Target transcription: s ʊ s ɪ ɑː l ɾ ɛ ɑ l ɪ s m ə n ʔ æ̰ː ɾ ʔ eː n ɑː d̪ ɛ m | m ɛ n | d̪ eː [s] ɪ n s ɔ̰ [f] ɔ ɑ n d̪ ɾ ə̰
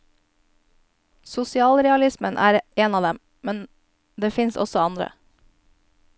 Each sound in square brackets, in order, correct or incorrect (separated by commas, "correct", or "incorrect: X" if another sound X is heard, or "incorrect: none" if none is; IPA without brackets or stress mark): incorrect: f, incorrect: s